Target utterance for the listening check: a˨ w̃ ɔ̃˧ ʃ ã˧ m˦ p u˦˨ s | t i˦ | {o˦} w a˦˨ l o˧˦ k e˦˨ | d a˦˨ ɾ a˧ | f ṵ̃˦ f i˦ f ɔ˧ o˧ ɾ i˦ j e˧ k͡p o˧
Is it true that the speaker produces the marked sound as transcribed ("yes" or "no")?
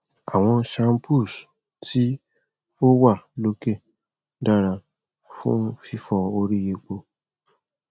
yes